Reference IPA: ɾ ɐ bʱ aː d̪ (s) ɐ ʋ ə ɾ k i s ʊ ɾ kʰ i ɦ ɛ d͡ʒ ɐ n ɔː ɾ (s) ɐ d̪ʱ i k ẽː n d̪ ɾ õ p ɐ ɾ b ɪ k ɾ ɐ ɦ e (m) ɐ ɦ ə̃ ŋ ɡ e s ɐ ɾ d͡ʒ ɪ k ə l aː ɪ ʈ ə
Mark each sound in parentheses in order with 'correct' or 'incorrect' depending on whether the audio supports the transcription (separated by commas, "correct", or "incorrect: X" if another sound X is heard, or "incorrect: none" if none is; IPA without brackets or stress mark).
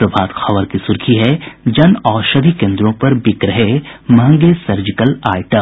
incorrect: x, incorrect: ʃ, correct